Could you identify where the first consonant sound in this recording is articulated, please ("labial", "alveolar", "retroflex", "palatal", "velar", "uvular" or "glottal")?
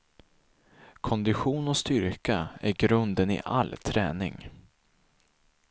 velar